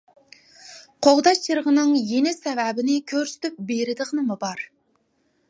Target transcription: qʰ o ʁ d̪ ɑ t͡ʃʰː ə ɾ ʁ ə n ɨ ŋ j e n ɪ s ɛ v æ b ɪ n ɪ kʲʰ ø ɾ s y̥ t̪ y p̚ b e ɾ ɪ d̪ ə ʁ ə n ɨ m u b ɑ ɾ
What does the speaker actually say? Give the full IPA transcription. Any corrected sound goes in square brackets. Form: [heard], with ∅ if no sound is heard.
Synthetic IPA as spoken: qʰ o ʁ d̪ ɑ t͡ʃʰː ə ɾ ʁ ə n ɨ ŋ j e n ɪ s ɛ v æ b ɪ n ɪ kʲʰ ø ɾ s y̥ t̪ y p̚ b e ɾ ɪ d̪ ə ʁ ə n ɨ m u b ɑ ɾ

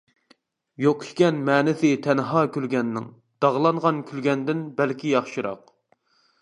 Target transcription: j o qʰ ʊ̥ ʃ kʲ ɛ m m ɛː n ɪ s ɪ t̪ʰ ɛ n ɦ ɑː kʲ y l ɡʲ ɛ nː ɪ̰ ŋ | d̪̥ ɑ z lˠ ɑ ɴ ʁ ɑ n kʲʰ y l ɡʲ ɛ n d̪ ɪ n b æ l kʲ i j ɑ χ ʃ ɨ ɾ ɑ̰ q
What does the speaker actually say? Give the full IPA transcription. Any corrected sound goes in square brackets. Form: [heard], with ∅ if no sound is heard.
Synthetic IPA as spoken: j o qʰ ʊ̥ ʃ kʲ ɛ [n] m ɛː n ɪ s ɪ t̪ʰ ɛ n ɦ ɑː kʲ y l ɡʲ ɛ nː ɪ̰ ŋ | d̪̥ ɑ [ʁ] lˠ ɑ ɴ ʁ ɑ n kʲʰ y l ɡʲ ɛ n d̪ ɪ n b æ l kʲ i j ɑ χ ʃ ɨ ɾ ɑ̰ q

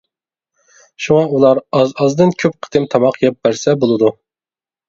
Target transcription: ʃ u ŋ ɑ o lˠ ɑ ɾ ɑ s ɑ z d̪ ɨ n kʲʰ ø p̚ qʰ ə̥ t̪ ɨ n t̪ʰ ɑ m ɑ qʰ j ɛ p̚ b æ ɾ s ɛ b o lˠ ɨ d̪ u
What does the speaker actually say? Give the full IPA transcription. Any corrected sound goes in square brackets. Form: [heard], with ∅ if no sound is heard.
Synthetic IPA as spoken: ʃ u ŋ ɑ [u] lˠ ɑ ɾ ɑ [z] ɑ z d̪ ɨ n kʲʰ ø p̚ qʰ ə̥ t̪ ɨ [m] t̪ʰ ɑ m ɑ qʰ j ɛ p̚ b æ ɾ s ɛ b o lˠ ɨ d̪ u

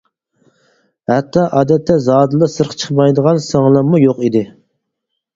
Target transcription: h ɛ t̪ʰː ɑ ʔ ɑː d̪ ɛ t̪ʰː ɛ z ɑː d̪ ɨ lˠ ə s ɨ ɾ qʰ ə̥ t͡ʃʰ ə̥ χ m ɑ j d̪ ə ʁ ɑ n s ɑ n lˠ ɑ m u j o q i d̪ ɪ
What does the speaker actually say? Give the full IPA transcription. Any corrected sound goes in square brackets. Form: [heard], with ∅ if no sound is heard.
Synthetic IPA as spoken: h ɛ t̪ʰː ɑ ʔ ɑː d̪ ɛ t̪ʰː ɛ z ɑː d̪ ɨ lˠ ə s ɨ ɾ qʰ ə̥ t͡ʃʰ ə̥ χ m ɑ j d̪ ə ʁ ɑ n s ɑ [ŋ] lˠ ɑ m u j o q i d̪ ɪ

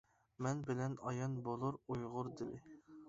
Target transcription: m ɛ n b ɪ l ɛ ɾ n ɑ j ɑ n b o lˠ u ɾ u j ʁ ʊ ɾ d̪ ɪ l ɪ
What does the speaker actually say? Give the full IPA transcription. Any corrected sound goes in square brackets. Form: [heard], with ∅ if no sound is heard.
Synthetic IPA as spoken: m ɛ n b ɪ l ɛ [∅] n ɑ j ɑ n b o lˠ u ɾ u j ʁ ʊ ɾ d̪ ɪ l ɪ

